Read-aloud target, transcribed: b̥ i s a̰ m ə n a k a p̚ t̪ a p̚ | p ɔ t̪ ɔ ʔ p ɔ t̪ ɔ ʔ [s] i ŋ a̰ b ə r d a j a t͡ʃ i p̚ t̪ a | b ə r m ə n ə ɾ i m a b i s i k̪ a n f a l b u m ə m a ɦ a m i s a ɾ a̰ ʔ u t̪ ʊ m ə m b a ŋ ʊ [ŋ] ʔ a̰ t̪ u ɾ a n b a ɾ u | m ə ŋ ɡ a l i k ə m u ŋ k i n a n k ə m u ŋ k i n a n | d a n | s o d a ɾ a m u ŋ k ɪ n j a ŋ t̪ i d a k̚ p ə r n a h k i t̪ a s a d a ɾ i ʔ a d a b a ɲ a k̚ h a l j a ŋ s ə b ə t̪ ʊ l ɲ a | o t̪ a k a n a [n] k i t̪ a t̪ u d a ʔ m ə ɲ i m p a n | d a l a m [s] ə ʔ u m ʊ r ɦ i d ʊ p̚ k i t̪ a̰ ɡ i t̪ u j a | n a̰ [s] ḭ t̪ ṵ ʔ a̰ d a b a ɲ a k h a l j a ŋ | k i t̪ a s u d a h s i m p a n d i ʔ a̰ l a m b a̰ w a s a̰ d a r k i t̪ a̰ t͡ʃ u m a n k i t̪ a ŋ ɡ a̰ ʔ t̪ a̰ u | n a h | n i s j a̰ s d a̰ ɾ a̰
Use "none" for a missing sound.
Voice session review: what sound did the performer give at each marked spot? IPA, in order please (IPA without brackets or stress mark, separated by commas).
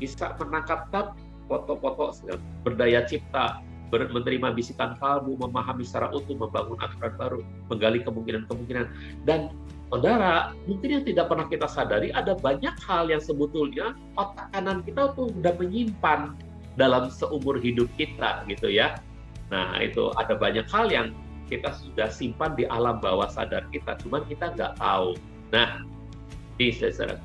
s, n, n, s, h